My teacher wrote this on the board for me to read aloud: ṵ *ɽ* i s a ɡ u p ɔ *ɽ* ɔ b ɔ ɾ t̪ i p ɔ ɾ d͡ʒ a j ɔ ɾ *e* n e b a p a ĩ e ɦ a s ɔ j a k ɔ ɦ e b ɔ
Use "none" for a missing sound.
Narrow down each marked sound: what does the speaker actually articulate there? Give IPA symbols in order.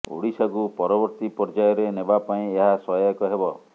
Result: ɽ, ɾ, e

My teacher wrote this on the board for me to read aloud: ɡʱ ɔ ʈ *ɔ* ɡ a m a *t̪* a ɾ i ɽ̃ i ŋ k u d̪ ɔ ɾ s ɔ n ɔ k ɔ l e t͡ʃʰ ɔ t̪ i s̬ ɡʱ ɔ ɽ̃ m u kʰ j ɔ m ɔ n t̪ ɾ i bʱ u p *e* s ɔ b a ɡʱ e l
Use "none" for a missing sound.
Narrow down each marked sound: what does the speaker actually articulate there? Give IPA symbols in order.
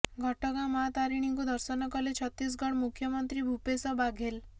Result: ɔ, t̪, e

